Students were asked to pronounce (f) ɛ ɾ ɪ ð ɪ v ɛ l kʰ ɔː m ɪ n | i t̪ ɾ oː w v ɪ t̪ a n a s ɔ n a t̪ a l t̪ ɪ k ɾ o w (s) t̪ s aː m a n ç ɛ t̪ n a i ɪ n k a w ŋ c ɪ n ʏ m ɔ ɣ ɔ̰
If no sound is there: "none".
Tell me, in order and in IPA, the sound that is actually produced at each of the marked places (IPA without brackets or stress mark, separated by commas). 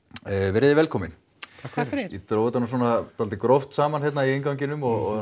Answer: v, f